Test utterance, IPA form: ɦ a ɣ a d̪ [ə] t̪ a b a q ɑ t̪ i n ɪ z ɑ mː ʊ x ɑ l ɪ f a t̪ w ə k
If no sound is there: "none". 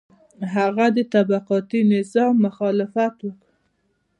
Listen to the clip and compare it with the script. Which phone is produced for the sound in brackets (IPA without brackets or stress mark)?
ə